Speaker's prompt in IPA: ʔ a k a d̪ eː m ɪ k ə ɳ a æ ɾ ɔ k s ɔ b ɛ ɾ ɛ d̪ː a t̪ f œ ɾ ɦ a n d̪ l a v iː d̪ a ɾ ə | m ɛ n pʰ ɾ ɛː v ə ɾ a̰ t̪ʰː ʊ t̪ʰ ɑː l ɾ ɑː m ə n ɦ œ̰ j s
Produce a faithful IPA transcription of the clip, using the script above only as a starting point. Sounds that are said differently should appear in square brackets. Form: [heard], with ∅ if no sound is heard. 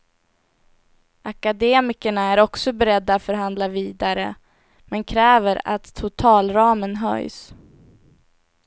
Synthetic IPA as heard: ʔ a k a d̪ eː m ɪ k ə ɳ a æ ɾ ɔ k s ɔ b ɛ ɾ ɛ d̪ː a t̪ f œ ɾ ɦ a n d̪ l a v iː d̪ a ɾ ə | m ɛ n [kʰ] ɾ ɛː v ə ɾ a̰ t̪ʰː ʊ t̪ʰ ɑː l ɾ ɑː m ə n ɦ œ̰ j s